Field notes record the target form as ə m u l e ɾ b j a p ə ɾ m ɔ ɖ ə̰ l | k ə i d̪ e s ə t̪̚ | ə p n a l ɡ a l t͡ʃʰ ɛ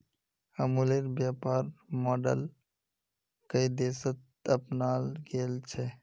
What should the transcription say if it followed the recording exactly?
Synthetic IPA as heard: ə m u l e ɾ b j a p a ɾ m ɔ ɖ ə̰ l | k ə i d̪ e s ə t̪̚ | ə p n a l ɡ e l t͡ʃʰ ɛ

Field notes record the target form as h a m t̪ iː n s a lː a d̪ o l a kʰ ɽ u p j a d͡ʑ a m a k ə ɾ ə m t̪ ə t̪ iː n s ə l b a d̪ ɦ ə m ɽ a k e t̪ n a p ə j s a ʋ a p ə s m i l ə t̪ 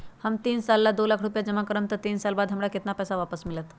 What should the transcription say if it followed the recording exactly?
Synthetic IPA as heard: h a m t̪ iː n s a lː a d̪ o l a kʰ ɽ u p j a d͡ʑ ə m a k ə ɾ ə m t̪ ə t̪ iː n s a l b a d̪ ɦ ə m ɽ a k e t̪ n a p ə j s a ʋ a p ə s m i l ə t̪

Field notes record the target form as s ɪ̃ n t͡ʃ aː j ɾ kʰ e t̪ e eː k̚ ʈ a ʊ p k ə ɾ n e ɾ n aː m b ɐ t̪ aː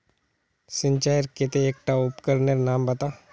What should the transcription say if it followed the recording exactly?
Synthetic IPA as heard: s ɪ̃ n t͡ʃ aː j ɾ k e t̪ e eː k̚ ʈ a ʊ p k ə ɾ n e ɾ n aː m b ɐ t̪ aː

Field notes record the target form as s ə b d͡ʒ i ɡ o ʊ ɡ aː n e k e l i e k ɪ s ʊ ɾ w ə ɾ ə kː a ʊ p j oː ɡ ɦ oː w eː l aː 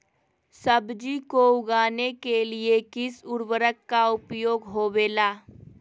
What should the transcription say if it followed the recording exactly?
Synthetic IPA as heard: s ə b d͡ʒ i k o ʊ ɡ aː n e k e l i e k ɪ s ʊ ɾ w ə ɾ ə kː a ʊ p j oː ɡ ɦ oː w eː l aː

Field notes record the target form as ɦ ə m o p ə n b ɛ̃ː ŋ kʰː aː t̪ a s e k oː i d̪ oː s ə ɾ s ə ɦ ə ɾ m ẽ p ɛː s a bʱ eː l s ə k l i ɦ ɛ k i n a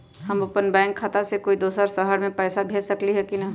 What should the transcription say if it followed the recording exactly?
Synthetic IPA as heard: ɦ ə m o p ə n b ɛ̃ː ŋ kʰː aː t̪ a s e k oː i d̪ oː s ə ɾ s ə ɦ ə ɾ m ẽ p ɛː s a bʱ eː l s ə k l i ɦ ɛ k i n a

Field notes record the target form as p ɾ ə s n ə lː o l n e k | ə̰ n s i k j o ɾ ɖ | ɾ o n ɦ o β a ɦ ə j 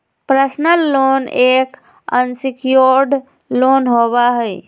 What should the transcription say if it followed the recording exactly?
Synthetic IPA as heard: p ɾ ə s n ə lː o n e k | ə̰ n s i k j o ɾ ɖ | l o n ɦ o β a ɦ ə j

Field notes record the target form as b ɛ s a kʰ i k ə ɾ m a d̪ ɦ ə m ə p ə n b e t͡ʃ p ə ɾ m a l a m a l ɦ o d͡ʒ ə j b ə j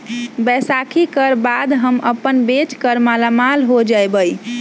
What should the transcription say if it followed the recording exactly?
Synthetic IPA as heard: b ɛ s a kʰ i k ə ɾ b a d̪ ɦ ə m ə p ə n b e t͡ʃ k ə ɾ m a l a m a l ɦ o d͡ʒ a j b ə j

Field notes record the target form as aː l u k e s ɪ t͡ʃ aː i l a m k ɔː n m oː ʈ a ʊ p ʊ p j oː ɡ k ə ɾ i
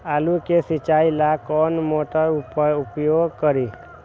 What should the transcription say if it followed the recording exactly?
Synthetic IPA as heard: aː l u k e s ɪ t͡ʃ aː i l a k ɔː n m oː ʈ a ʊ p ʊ p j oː ɡ k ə ɾ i

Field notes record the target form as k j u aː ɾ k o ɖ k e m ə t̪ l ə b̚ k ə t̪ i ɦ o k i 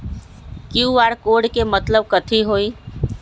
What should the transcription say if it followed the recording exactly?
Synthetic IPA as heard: k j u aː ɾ k o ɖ k e m ə t̪ l ə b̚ k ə t̪ʰ i ɦ o i

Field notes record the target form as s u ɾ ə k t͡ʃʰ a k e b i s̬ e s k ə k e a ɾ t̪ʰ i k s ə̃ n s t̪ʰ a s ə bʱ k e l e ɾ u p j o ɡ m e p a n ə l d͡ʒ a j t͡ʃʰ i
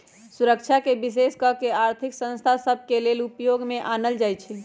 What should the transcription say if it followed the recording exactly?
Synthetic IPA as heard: s u ɾ ə k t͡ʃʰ a k e b i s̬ e s k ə k e a ɾ t̪ʰ i k s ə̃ n s t̪ʰ a s ə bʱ k e l e l u p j o ɡ m e ʔ a n ə l d͡ʒ a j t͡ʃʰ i

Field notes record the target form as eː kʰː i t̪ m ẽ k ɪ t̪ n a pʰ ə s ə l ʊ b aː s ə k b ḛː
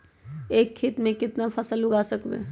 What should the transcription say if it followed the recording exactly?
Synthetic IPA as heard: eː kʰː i t̪ m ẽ k ɪ t̪ n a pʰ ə s ə l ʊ ɡ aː s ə k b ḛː

